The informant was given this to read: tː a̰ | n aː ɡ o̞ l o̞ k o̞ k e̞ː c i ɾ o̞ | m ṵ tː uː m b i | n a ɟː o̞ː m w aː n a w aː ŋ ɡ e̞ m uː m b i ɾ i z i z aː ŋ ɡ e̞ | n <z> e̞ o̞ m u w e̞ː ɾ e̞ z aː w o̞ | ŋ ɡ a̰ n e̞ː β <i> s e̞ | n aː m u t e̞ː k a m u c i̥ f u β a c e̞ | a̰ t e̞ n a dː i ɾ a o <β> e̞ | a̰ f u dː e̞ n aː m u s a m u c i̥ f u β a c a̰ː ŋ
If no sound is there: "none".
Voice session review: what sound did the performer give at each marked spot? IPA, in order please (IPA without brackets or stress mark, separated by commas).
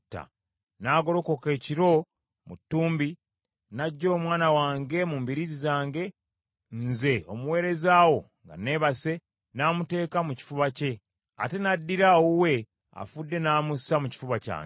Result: z, a, w